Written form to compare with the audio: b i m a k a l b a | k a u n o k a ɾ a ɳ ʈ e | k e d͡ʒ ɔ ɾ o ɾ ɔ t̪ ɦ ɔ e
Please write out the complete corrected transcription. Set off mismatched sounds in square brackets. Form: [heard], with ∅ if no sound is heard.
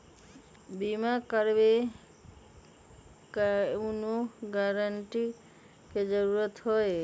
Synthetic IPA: b i m a k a [ɾ] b [e] | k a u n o [ɡ] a ɾ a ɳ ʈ [i] | k e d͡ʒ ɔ ɾ [u] ɾ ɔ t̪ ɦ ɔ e